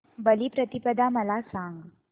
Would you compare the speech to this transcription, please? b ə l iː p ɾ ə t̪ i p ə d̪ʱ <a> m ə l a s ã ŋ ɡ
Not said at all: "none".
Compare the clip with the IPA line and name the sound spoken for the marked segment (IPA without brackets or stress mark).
a